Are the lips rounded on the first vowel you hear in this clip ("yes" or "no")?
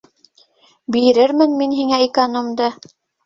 no